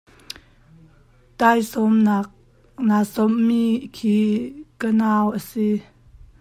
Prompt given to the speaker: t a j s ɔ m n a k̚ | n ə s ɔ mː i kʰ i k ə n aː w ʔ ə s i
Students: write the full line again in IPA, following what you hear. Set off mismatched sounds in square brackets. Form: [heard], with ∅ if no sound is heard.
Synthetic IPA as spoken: t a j s ɔ m n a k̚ | n [a] s ɔ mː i kʰ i k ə n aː w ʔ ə s i